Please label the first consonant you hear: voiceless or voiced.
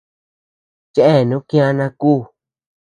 voiceless